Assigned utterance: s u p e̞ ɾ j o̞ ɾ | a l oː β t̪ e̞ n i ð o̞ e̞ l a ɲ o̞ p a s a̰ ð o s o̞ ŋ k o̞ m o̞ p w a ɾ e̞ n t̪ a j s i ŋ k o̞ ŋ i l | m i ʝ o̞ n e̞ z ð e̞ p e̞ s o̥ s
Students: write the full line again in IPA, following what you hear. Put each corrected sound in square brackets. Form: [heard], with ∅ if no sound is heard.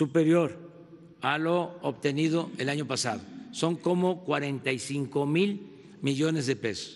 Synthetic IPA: s u p e̞ ɾ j o̞ ɾ | a l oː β t̪ e̞ n i ð o̞ e̞ l a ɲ o̞ p a s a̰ ð o s o̞ ŋ k o̞ m o̞ [k] w a ɾ e̞ n t̪ a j s i ŋ k o̞ [m] i l | m i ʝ o̞ n e̞ z ð e̞ p e̞ s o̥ s